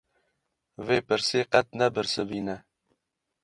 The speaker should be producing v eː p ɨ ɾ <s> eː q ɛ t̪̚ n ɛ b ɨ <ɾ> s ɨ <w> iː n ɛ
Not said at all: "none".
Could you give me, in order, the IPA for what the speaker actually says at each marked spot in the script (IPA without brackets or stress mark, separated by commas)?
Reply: s, ɾ, b